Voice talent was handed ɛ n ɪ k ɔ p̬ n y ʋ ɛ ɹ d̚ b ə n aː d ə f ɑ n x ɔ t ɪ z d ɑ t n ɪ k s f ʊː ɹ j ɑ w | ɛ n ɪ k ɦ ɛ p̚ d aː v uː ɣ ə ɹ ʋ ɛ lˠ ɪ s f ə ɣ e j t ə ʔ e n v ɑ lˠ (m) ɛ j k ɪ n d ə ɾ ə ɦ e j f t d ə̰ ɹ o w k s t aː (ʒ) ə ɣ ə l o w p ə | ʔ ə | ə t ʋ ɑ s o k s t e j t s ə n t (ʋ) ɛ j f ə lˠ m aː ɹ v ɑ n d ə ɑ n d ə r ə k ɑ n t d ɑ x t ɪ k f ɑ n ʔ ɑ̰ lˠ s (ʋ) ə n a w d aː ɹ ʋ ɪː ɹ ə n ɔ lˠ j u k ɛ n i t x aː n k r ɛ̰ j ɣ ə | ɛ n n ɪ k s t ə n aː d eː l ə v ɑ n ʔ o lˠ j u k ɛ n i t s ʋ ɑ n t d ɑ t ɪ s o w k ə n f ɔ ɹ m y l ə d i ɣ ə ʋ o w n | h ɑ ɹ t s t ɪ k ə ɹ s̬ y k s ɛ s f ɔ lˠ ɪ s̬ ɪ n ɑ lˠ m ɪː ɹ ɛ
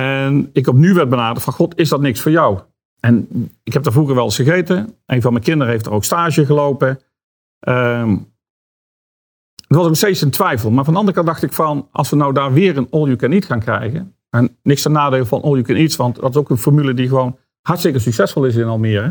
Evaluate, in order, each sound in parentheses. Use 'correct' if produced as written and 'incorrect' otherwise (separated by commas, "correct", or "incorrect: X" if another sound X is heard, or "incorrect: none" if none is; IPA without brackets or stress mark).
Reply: correct, correct, correct, correct